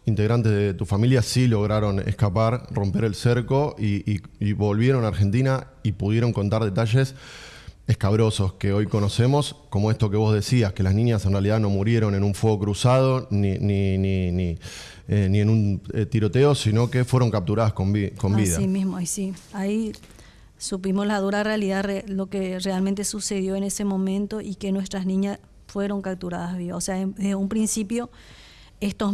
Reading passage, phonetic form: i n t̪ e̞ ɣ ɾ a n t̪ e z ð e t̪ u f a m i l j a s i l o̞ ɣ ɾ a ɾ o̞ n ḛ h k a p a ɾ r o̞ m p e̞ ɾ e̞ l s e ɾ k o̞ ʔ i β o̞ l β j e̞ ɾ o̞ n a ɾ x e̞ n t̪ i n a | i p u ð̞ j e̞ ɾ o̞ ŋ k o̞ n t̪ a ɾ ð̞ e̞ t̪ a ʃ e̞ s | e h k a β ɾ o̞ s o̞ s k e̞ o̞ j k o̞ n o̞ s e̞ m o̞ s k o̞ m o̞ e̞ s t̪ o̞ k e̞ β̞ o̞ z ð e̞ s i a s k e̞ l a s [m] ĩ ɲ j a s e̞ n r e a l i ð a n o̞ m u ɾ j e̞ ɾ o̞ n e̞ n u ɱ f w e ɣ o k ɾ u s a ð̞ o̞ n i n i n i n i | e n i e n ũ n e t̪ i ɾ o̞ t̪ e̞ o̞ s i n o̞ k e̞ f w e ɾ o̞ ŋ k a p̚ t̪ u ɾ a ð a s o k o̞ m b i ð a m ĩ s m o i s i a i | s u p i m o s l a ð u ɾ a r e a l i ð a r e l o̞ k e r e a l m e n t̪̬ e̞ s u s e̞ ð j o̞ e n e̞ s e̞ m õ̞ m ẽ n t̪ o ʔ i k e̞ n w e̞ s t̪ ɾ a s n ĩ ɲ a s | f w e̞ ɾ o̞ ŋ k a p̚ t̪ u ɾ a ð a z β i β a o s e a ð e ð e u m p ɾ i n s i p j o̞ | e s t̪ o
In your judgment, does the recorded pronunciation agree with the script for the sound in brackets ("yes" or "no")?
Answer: no